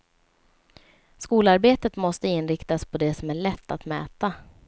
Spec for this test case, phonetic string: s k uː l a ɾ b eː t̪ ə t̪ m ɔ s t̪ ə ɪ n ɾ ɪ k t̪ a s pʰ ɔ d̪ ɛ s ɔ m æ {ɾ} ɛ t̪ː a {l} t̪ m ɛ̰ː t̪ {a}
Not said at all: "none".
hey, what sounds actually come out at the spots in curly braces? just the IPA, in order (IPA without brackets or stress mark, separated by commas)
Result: ɭ, none, a